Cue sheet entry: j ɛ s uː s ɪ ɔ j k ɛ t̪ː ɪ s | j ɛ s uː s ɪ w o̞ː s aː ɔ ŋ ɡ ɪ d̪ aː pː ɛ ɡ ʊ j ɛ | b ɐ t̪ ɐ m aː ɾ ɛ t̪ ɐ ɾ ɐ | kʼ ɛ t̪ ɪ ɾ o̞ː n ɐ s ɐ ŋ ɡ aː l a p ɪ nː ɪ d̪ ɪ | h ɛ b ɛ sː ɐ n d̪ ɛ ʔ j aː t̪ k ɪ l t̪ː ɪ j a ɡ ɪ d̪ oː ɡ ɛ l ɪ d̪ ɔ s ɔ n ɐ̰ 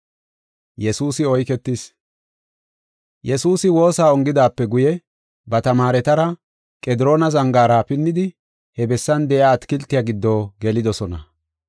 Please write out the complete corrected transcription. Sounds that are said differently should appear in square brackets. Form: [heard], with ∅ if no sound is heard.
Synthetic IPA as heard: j ɛ s uː s ɪ ɔ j k ɛ t̪ː ɪ s | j ɛ s uː s ɪ w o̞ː s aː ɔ ŋ ɡ ɪ d̪ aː pː ɛ ɡ ʊ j ɛ | b ɐ t̪ ɐ m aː ɾ ɛ t̪ ɐ ɾ ɐ | kʼ ɛ [d̪] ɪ ɾ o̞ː n ɐ [z] ɐ ŋ ɡ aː [ɾ] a p ɪ nː ɪ d̪ ɪ | h ɛ b ɛ sː ɐ n d̪ ɛ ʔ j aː t̪ k ɪ l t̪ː ɪ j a ɡ ɪ [d̪ː] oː ɡ ɛ l ɪ d̪ ɔ s ɔ n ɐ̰